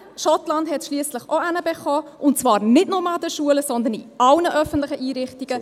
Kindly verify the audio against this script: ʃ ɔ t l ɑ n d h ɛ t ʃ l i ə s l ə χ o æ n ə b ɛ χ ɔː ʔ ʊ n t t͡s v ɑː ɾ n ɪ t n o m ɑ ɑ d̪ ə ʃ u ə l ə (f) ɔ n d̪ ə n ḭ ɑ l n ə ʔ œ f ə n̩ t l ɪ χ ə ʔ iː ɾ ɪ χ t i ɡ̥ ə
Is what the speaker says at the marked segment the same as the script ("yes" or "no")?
no